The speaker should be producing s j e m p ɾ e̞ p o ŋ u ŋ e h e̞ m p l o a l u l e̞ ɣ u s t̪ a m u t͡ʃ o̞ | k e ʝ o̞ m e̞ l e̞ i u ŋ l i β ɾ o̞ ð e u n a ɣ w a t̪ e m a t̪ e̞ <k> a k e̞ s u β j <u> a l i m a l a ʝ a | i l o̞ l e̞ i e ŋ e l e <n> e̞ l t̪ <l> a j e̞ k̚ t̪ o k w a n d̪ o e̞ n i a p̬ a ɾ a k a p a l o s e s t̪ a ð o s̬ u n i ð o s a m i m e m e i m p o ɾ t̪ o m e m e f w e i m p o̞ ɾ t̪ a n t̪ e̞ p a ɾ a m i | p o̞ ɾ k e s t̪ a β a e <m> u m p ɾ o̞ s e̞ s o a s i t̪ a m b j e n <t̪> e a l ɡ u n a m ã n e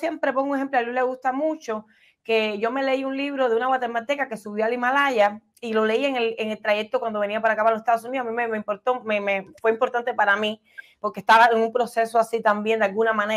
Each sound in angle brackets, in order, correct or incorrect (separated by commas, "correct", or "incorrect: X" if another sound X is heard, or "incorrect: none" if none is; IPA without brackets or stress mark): correct, incorrect: o, incorrect: ŋ, incorrect: ɾ, incorrect: ŋ, incorrect: d̪